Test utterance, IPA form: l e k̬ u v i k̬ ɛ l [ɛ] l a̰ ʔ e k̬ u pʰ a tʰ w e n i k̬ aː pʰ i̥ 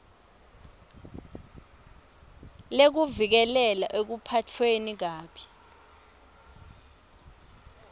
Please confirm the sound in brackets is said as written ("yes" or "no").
yes